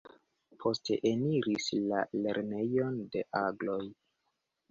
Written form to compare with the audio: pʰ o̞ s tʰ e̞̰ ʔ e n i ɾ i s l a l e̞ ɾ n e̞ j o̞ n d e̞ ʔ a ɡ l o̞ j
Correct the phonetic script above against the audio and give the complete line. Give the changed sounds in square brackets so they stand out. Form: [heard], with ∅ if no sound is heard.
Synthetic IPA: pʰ o̞ s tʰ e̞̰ ʔ e n i ɾ i s l a l e̞ ɾ n e̞ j o̞ n d e̞ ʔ a ɡ l o̞ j